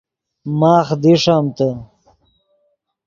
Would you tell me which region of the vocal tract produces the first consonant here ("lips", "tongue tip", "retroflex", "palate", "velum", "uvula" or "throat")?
lips